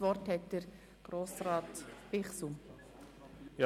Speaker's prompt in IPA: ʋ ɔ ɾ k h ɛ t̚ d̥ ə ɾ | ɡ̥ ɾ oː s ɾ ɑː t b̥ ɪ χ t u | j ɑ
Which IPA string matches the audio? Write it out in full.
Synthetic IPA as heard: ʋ ɔ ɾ t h ɛ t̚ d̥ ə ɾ | ɡ̥ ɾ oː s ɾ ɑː t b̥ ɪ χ s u | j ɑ